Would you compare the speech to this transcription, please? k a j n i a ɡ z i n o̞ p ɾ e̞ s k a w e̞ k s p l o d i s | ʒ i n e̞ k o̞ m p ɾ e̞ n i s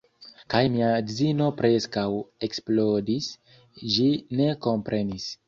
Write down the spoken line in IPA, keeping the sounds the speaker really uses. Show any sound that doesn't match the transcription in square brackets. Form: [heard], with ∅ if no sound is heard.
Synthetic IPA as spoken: k a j [m] i a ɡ z i n o̞ p ɾ e̞ s k a w e̞ k s p l o d i s | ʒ i n e̞ k o̞ m p ɾ e̞ n i s